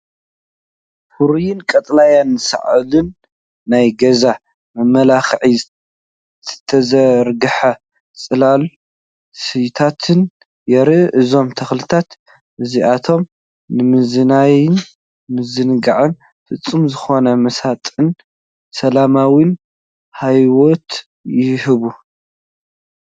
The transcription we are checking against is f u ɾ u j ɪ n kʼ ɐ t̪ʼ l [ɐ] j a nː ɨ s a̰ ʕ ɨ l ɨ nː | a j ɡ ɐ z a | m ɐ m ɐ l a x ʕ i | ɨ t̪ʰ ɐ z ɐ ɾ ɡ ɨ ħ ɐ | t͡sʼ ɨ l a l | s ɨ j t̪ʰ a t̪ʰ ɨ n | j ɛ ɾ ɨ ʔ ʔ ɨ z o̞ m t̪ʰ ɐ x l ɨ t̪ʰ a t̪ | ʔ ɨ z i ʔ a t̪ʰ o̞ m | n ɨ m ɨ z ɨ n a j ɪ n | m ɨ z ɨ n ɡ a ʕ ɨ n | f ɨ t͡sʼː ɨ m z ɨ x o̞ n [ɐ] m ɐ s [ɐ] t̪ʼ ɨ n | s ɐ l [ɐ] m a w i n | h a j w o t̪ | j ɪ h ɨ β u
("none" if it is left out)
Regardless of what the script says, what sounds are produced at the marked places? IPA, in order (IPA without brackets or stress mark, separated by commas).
a, ɐ, a, a